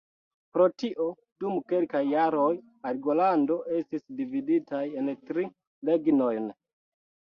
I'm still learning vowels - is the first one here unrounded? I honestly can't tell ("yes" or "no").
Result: no